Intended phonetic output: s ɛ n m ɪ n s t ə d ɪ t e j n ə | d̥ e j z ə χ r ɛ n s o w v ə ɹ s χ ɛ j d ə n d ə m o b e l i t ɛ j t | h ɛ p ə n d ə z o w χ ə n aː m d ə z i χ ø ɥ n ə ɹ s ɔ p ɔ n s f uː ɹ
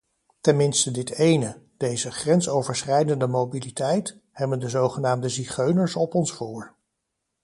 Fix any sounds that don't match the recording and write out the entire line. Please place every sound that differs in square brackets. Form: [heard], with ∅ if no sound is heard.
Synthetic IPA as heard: [t] ɛ n m ɪ n s t ə d ɪ t e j n ə | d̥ e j z ə χ r ɛ n s o w v ə ɹ s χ ɛ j d ə n d ə m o b [i] l i t ɛ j t | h ɛ [b] ə n d ə z o w χ ə n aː m d ə z i χ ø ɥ n ə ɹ s ɔ p ɔ n s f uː ɹ